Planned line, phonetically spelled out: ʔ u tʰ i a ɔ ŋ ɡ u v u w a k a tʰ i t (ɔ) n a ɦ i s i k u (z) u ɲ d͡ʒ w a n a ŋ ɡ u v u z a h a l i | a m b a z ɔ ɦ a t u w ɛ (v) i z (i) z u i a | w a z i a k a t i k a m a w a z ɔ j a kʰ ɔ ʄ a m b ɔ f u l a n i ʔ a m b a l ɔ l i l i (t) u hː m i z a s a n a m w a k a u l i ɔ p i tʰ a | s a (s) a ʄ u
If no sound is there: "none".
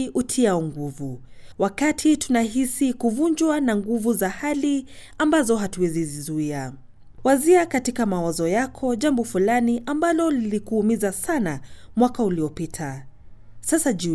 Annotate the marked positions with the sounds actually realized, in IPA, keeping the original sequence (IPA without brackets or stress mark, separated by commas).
u, v, z, i, k, s